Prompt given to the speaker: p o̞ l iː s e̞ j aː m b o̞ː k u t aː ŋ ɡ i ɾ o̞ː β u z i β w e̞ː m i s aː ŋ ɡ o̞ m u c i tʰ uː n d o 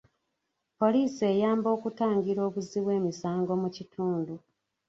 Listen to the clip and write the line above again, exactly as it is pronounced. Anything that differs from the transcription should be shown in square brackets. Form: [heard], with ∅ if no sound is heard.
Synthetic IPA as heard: p o̞ l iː s e̞ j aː m b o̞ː k u t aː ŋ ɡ i ɾ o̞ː β u z i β w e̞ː m i s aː ŋ ɡ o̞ m u c i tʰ uː n d [u]